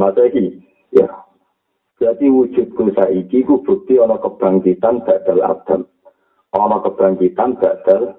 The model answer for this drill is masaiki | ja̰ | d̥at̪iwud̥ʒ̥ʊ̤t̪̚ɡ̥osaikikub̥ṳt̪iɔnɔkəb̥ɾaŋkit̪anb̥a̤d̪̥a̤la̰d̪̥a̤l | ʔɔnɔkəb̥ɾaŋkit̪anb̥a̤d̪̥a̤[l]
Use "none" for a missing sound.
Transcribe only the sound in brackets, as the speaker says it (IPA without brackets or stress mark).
l